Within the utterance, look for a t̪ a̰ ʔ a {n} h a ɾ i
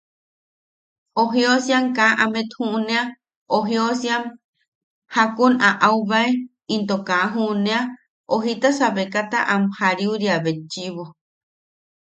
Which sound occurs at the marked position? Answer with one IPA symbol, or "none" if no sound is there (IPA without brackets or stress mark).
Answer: m